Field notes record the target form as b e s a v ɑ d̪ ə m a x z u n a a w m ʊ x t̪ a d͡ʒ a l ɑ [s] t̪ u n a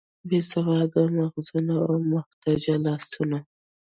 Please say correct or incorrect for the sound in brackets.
correct